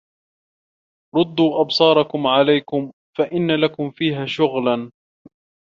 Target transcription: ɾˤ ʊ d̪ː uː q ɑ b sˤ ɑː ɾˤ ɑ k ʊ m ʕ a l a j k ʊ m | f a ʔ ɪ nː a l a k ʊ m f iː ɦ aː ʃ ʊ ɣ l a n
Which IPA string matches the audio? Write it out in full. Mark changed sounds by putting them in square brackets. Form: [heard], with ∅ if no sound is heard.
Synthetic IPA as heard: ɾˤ ʊ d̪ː uː [ʔ] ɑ b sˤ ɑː ɾˤ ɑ k ʊ m ʕ a l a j k ʊ m | f a ʔ ɪ nː a l a k ʊ m f iː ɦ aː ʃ ʊ ɣ l a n